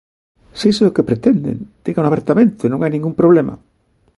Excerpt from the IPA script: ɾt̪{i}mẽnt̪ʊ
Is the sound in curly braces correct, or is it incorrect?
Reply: incorrect